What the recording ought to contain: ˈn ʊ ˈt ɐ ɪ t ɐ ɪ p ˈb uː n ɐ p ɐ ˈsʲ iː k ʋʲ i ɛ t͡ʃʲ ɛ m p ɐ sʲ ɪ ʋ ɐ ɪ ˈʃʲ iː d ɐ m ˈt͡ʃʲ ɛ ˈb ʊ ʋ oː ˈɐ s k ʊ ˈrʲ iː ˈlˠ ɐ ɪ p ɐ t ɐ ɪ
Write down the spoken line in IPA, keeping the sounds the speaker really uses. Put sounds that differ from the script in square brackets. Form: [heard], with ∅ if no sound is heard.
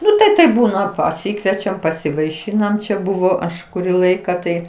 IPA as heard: ˈn ʊ ˈt ɐ ɪ t ɐ ɪ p ˈb uː n ɐ p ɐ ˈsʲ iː k ʋʲ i ɛ t͡ʃʲ ɛ m p ɐ sʲ ɪ ʋ ɐ ɪ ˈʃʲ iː [n] ɐ m ˈt͡ʃʲ ɛ ˈb ʊ ʋ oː ˈɐ [ʃ] k ʊ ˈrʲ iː ˈlˠ ɐ ɪ [k] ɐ t ɐ ɪ